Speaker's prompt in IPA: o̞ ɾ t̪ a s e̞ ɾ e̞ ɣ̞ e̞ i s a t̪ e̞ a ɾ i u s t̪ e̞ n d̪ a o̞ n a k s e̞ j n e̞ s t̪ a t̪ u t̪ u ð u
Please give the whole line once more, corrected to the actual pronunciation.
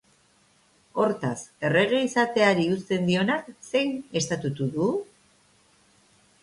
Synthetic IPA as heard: o̞ ɾ t̪ a s e̞ r e̞ ɣ̞ e̞ i s a t̪ e̞ a ɾ i u s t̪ e̞ n d̪ i o̞ n a k s e̞ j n e̞ s t̪ a t̪ u t̪ u ð u